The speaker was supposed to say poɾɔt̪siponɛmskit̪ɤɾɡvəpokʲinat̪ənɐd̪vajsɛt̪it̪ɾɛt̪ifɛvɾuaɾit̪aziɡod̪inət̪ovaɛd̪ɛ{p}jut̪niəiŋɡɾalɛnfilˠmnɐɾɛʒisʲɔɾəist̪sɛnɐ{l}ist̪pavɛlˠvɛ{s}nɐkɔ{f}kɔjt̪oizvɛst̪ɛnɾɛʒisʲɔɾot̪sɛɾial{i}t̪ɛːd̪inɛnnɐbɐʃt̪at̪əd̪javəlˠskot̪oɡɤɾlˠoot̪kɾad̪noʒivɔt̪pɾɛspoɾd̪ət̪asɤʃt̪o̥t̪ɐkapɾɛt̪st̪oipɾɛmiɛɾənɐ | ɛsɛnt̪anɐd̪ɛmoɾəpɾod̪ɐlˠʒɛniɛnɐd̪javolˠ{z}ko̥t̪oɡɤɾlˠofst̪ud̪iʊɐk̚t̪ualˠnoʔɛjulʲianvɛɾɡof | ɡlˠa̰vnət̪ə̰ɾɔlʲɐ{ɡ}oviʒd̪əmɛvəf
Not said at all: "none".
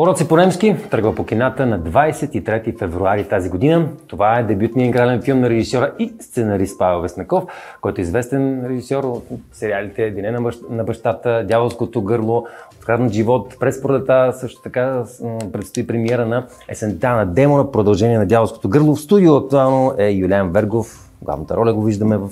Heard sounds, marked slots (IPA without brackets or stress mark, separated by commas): b, ɾ, s, f, i, s, ɡ